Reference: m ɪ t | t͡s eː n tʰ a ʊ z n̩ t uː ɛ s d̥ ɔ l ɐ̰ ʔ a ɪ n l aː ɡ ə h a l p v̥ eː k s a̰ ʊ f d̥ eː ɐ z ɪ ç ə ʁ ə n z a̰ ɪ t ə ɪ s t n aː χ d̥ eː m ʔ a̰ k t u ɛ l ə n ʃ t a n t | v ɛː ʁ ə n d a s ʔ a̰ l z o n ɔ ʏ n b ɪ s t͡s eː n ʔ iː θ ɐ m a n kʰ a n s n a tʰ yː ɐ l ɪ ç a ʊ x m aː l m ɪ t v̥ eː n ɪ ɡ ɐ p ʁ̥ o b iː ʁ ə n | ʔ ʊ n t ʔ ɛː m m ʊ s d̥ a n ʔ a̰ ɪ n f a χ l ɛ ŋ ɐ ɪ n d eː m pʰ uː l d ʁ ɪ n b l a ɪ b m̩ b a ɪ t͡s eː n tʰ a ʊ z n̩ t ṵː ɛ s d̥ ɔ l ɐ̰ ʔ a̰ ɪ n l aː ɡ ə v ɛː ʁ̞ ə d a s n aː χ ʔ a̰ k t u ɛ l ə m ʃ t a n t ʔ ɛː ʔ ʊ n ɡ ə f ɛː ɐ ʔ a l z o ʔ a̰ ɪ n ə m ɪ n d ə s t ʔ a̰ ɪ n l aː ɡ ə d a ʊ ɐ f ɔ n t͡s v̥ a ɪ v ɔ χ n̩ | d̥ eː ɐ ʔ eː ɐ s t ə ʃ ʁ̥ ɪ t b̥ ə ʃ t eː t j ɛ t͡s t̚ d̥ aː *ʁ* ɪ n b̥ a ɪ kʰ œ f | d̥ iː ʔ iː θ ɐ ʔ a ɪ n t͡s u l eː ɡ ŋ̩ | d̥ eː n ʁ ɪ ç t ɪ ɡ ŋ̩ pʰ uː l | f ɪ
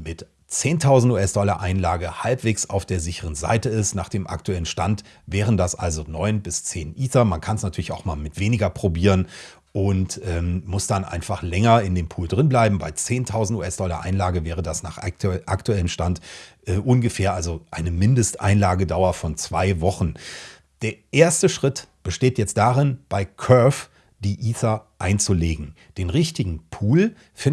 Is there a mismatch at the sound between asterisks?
no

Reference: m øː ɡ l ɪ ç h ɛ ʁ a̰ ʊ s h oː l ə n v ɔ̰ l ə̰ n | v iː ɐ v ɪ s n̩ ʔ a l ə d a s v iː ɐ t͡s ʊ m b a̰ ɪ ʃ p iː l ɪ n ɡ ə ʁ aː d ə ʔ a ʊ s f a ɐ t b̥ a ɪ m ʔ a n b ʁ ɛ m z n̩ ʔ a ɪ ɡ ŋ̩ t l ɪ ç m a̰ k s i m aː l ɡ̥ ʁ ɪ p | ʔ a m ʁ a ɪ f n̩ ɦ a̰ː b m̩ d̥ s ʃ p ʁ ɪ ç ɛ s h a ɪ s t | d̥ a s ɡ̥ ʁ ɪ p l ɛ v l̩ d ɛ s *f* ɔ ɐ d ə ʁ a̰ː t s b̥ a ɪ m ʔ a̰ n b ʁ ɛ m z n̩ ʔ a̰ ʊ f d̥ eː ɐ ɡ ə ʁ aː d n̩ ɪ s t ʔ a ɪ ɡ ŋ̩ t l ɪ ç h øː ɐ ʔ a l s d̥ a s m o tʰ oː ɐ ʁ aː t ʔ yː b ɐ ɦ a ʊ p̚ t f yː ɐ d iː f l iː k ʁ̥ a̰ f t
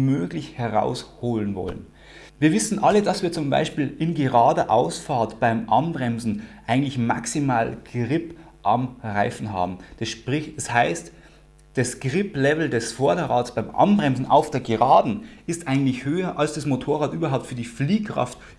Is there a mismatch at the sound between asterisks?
no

